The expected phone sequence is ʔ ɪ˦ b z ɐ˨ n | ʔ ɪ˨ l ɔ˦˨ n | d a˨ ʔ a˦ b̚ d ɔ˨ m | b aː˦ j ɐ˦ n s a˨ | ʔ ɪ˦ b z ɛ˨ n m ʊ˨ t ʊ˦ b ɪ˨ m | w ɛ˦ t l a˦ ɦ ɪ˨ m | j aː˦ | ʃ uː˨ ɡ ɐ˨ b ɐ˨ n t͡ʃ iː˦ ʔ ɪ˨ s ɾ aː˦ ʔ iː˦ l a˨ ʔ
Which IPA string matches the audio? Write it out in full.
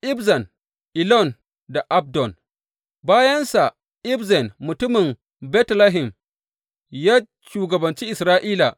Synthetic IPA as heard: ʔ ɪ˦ b z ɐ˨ n | ʔ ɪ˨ l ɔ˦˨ n | d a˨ ʔ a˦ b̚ d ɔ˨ n | b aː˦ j ɐ˦ n s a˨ | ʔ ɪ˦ b z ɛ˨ n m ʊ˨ t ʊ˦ m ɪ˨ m | b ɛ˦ t l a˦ ɦ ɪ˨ m | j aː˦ | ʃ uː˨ ɡ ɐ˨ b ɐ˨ n t͡ʃ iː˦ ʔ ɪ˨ s ɾ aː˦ ʔ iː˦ l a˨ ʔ